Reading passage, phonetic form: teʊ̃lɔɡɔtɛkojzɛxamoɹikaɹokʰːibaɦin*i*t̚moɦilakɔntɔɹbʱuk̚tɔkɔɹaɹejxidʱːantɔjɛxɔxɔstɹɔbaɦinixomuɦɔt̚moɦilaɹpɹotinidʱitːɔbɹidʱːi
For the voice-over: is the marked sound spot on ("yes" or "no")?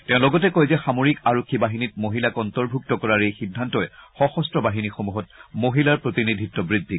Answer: yes